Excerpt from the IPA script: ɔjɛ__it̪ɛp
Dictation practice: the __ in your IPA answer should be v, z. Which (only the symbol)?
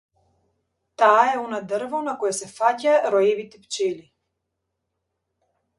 v